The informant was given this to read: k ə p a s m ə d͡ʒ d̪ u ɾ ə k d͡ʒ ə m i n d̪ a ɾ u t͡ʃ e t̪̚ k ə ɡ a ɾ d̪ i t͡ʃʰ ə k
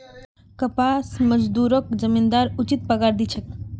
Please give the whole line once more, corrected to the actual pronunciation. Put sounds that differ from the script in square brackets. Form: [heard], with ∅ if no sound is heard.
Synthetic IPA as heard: k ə p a s m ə d͡ʒ d̪ u ɾ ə k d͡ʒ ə m i n d̪ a ɾ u t͡ʃ [i] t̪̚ [p] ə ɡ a ɾ d̪ i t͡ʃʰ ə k

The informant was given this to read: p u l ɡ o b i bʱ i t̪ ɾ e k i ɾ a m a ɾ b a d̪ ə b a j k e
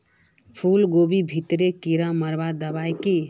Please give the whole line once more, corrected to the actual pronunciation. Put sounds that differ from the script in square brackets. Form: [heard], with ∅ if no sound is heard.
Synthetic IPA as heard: [pʰ] u l ɡ o b i bʱ i t̪ ɾ e k i ɾ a m [ə] ɾ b a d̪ ə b a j k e

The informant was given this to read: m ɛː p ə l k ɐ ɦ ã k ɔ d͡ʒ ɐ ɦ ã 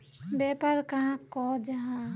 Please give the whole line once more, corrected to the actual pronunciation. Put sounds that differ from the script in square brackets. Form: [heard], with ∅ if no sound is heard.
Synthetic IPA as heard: [b] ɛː p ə [ɾ] k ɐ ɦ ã k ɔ d͡ʒ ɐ ɦ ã

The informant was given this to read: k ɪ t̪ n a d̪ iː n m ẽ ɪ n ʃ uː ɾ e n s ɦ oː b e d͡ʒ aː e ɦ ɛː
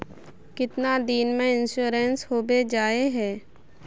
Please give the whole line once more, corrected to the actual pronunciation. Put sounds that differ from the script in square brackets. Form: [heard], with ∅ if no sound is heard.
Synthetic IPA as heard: k ɪ t̪ n a d̪ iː n m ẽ ɪ n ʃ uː ɾ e n s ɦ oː b e d͡ʒ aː e ɦ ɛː

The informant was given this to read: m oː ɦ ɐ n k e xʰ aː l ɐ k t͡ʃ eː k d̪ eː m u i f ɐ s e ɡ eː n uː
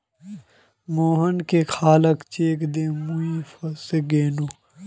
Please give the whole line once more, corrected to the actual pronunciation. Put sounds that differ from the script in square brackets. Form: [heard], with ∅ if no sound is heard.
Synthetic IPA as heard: m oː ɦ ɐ n k e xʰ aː l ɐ k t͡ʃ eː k d̪ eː m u i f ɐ s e ɡ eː n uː

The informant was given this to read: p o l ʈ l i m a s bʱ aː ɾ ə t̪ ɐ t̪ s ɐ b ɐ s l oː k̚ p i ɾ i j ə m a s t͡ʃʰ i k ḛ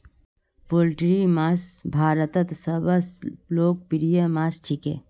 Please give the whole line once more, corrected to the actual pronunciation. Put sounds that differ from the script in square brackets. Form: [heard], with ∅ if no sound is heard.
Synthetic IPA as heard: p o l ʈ [ɾ] i m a s bʱ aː ɾ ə t̪ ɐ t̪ s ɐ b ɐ s l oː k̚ p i ɾ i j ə m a s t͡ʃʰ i k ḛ

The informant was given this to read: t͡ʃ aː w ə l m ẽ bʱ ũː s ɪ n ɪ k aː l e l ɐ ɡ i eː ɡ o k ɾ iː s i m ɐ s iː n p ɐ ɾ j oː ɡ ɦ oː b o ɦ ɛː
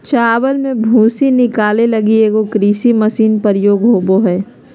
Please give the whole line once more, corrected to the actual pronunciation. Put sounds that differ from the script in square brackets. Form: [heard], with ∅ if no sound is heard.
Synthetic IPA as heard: t͡ʃ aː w ə l m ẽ bʱ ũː s [i] n ɪ k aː l e l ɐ ɡ i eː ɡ o k ɾ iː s i m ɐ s iː n p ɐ ɾ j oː ɡ ɦ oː b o ɦ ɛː

